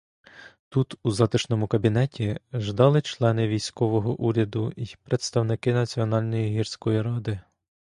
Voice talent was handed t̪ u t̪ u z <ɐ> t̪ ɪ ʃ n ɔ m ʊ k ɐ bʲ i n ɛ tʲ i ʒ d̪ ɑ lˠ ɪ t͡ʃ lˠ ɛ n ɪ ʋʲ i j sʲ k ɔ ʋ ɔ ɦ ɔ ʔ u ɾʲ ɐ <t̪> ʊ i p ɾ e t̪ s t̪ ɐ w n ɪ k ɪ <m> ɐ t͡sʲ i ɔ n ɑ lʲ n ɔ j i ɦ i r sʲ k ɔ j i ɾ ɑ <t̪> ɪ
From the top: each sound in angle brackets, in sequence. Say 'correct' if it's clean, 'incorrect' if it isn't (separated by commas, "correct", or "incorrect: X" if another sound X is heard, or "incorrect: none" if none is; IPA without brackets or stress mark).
incorrect: ɑ, incorrect: d̪, incorrect: n, incorrect: d̪